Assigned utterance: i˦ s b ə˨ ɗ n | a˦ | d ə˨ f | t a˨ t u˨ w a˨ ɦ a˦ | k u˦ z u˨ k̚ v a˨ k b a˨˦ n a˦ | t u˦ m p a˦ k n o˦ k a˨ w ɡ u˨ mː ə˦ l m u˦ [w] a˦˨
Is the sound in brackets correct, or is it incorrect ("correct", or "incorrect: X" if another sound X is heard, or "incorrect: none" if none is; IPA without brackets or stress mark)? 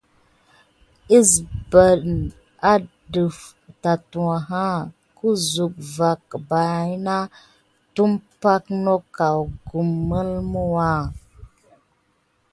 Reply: correct